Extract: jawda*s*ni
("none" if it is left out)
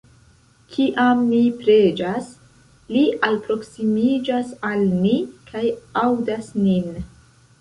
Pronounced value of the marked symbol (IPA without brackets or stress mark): s